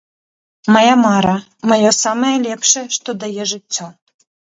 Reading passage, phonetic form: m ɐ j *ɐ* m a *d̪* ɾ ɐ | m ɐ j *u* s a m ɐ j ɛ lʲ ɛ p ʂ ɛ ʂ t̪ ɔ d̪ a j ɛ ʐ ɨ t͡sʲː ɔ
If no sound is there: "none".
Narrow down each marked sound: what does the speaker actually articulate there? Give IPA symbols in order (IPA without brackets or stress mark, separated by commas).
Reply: a, none, ɔ